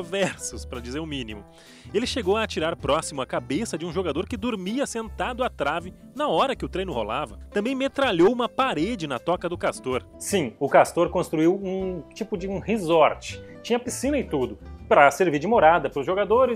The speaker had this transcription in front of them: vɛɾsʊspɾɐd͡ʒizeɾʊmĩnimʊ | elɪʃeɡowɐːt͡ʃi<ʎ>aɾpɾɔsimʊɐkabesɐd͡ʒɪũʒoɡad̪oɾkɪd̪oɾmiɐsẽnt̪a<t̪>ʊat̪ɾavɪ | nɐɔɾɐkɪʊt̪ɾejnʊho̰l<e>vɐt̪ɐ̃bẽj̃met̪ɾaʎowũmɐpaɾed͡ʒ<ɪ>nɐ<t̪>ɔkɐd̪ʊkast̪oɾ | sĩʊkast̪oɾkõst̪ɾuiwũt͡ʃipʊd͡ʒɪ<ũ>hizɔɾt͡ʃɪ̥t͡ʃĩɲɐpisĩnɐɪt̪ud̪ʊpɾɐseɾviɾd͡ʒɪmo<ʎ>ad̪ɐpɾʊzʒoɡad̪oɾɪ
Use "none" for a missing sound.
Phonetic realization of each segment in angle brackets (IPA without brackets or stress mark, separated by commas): ɾ, d̪, a, ɪ, t̪, ũ, ɾ